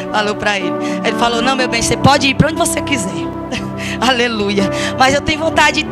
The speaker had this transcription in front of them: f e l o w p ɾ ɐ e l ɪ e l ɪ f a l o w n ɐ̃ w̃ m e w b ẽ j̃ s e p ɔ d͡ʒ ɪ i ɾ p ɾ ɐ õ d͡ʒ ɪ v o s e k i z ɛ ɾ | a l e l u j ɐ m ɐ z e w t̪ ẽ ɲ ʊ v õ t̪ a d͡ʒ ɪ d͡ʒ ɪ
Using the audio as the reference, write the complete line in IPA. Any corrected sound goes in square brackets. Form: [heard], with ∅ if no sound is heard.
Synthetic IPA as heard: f [a] l o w p ɾ ɐ e l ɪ e l ɪ f a l o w n ɐ̃ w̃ m e w b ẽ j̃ s e p ɔ d͡ʒ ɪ i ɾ p ɾ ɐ õ d͡ʒ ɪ v o s e k i z ɛ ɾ | a l e l u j ɐ m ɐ z e w t̪ ẽ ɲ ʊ v õ t̪ a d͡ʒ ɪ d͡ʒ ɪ